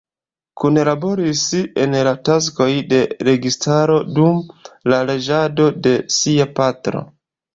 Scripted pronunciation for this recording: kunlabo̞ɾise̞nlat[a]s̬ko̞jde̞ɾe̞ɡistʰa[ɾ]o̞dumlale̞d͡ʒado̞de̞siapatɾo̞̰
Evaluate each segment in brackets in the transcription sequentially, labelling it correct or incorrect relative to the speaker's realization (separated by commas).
correct, correct